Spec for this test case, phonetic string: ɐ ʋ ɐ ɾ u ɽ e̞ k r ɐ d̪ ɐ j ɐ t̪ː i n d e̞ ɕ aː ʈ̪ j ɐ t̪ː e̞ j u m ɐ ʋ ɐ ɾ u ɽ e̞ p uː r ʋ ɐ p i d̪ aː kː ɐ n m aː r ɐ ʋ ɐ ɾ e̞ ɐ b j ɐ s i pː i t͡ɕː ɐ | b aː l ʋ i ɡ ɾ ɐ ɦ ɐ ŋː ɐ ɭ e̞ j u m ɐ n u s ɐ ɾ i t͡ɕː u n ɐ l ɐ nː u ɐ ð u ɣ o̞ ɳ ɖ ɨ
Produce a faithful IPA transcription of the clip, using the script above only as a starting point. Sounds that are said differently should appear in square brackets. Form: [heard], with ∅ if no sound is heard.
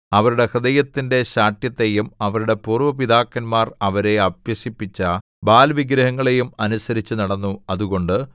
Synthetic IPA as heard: ɐ ʋ ɐ ɾ u ɽ e̞ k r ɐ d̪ ɐ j ɐ t̪ː i n d e̞ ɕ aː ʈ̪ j ɐ t̪ː e̞ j u m ɐ ʋ ɐ ɾ u ɽ e̞ p uː r ʋ ɐ p i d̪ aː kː ɐ n m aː r ɐ ʋ ɐ ɾ e̞ ɐ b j ɐ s i pː i t͡ɕː ɐ | b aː l ʋ i ɡ ɾ ɐ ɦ ɐ ŋː ɐ ɭ e̞ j u m ɐ n u s ɐ ɾ i t͡ɕː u n ɐ [ɽ] ɐ nː u ɐ ð u ɣ o̞ ɳ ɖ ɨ